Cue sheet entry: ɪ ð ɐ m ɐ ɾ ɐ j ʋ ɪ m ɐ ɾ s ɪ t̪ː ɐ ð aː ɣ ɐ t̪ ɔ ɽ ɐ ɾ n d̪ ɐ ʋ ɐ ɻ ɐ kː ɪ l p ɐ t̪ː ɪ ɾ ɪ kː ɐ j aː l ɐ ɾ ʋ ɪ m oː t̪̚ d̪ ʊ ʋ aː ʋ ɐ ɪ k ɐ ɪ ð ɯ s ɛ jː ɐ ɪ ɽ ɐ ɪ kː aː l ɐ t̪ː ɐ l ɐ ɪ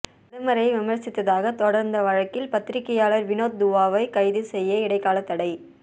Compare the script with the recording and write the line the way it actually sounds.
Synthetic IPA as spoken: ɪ ð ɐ m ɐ ɾ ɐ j ʋ ɪ m ɐ ɾ s ɪ t̪ː ɐ ð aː ɣ ɐ t̪ ɔ ɽ ɐ ɾ n d̪ ɐ ʋ ɐ ɻ ɐ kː ɪ l p ɐ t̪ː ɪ ɾ ɪ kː ɐ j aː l ɐ ɾ ʋ ɪ n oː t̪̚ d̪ ʊ ʋ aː ʋ ɐ ɪ k ɐ ɪ ð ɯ s ɛ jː ɐ ɪ ɽ ɐ ɪ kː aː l ɐ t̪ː ɐ ɽ ɐ ɪ